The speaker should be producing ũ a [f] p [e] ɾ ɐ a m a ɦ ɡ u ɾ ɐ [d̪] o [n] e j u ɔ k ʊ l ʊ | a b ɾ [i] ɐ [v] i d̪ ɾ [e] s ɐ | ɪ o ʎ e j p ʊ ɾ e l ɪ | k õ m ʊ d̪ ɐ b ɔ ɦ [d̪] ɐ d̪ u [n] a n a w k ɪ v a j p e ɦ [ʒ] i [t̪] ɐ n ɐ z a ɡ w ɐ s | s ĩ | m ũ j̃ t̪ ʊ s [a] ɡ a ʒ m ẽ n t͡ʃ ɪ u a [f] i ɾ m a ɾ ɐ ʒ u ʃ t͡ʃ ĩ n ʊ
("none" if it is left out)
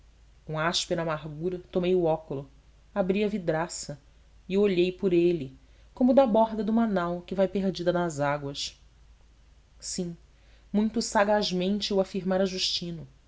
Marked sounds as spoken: ʃ, e, t̪, m, i, v, a, d̪, m, d͡ʒ, d̪, a, f

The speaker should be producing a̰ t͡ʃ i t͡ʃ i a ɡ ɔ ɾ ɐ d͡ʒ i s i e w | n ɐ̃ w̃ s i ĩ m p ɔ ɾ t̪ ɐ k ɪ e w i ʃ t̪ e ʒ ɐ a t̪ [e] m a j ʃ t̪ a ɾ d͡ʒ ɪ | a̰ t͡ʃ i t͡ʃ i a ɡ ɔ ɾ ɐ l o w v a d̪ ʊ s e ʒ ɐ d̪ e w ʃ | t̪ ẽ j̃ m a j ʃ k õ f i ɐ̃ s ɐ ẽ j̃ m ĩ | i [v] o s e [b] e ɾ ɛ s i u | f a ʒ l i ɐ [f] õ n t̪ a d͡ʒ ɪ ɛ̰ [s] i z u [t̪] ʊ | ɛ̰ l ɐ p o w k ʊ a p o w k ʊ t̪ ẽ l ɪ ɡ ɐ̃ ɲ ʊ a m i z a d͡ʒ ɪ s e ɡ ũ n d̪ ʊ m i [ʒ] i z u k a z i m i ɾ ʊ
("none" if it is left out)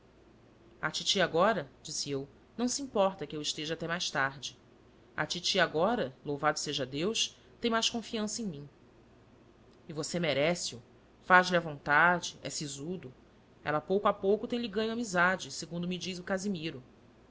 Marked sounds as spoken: ɛ, v, m, v, s, d̪, d͡ʒ

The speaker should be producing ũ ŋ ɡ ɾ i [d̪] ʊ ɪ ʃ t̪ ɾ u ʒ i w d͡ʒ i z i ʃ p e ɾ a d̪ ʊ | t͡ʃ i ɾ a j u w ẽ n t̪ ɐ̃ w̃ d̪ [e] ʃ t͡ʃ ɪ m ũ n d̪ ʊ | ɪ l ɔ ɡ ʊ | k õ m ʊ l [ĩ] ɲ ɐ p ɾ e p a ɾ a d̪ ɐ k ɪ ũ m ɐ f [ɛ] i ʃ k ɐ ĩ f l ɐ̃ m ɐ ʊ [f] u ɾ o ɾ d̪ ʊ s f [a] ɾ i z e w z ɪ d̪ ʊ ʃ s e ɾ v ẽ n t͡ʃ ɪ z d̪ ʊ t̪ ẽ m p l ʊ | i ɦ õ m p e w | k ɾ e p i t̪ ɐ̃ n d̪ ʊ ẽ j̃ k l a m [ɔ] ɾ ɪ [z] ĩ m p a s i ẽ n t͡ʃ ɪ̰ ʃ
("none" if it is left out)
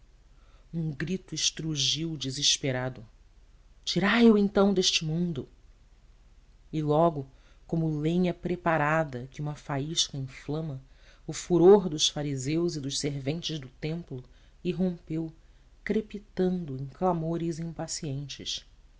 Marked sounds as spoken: t̪, e, ẽ, a, f, a, o, z

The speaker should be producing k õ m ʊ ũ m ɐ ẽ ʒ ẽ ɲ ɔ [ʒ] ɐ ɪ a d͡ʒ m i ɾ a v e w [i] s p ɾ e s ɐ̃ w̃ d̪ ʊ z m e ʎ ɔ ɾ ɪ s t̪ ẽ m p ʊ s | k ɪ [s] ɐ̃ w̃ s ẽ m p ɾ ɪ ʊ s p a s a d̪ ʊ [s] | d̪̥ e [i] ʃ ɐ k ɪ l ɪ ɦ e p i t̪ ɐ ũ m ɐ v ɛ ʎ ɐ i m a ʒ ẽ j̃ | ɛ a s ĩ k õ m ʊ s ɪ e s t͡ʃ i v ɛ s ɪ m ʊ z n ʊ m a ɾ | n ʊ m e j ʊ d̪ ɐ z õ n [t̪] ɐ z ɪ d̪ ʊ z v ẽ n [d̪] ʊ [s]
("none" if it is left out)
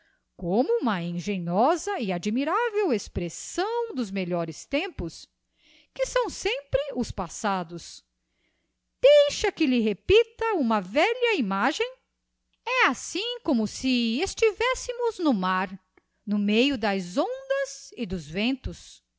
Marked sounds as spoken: z, e, s, s, j, d̪, t̪, s

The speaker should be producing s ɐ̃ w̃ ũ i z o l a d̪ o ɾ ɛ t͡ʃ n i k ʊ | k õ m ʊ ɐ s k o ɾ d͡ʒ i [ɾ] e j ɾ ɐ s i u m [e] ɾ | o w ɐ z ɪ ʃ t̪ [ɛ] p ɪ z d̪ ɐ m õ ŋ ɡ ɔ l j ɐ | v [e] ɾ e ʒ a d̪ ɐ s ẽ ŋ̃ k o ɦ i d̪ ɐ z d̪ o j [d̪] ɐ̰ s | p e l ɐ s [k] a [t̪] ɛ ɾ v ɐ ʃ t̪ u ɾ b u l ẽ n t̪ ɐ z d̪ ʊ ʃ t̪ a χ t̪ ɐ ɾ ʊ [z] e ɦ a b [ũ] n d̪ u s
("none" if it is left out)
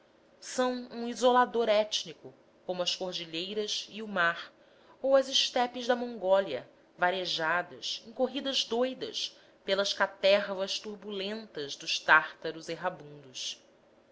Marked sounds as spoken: ʎ, a, ɛ, a, d̪, k, t̪, z, ũ

